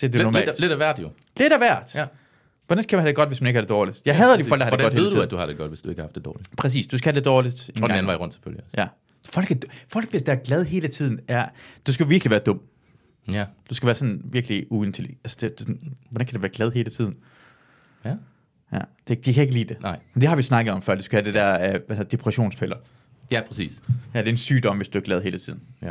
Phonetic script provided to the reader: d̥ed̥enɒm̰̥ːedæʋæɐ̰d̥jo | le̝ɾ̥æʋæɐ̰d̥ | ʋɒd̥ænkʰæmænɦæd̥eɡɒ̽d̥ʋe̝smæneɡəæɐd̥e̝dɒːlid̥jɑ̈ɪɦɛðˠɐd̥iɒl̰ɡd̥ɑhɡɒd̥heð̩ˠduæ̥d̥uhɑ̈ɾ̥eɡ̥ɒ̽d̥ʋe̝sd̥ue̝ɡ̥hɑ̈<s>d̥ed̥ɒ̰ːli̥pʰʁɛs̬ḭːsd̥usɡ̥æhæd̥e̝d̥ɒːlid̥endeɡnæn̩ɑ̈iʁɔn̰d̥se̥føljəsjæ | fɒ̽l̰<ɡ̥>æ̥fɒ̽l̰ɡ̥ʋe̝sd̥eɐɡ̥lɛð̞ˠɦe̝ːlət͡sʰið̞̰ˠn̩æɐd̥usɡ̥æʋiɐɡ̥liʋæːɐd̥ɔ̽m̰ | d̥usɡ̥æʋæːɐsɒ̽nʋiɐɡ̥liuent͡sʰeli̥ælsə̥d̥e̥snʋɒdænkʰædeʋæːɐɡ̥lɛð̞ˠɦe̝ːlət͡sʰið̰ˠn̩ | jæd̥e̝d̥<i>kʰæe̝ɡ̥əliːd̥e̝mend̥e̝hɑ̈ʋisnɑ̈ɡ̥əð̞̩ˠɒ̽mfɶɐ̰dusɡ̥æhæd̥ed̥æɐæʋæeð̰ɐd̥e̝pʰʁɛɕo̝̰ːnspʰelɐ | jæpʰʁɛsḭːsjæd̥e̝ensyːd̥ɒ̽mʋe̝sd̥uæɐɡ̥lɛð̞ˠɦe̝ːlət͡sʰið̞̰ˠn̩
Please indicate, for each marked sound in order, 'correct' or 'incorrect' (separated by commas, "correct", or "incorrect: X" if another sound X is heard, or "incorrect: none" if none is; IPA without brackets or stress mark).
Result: incorrect: f, correct, correct